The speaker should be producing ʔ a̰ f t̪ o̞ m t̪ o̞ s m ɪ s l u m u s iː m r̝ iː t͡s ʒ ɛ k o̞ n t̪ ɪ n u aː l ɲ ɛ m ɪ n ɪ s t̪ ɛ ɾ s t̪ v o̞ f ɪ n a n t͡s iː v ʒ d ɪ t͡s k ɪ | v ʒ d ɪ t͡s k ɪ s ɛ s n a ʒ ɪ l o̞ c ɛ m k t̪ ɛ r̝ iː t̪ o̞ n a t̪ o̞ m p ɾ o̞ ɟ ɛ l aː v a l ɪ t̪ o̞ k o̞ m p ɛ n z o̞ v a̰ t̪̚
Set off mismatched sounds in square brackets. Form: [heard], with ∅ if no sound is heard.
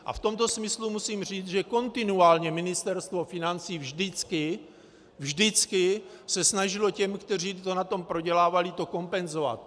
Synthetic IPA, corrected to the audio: ʔ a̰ f t̪ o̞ m t̪ o̞ s m ɪ s l u m u s iː m r̝ iː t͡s ʒ ɛ k o̞ n t̪ ɪ n u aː l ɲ ɛ m ɪ n ɪ s t̪ ɛ ɾ s t̪ v o̞ f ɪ n a n t͡s iː v ʒ d ɪ t͡s k ɪ | v ʒ d ɪ t͡s k ɪ s ɛ s n a ʒ ɪ l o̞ c ɛ m k t̪ ɛ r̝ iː t̪ o̞ n a t̪ o̞ m p ɾ o̞ ɟ ɛ l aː v a l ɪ t̪ o̞ k o̞ m p ɛ n z o̞ v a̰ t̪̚